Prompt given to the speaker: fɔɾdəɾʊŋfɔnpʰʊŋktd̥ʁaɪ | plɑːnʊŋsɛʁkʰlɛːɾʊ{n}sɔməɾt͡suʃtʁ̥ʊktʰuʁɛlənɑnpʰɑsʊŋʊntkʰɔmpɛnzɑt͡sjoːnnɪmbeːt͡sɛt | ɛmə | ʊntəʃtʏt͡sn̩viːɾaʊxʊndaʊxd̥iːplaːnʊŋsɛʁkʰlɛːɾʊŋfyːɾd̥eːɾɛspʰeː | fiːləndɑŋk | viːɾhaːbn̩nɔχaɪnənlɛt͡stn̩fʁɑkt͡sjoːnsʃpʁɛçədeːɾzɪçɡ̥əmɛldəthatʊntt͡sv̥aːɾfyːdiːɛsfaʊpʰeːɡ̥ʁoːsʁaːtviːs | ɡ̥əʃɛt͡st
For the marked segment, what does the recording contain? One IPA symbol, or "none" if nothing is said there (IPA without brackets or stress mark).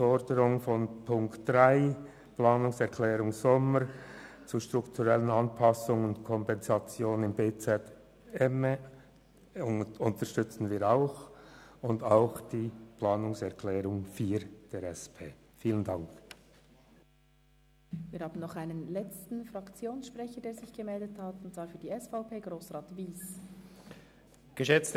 ŋ